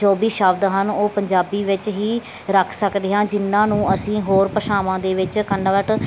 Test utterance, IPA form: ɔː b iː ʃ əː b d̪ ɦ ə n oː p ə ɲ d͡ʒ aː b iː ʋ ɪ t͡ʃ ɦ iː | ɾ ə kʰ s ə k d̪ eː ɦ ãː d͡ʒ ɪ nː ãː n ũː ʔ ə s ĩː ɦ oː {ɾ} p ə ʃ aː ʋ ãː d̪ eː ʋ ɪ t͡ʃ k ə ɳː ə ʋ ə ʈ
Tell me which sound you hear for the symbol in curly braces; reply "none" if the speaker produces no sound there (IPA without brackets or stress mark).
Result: ɾ